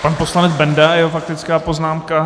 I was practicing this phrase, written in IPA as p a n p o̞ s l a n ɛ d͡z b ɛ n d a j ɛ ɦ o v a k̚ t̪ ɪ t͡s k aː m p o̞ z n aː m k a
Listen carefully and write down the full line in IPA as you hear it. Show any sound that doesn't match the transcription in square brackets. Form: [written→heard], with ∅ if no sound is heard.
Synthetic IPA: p a n p o̞ s l a n ɛ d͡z b ɛ n d a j ɛ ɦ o [v→f] a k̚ t̪ ɪ t͡s k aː [m→∅] p o̞ z n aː m k a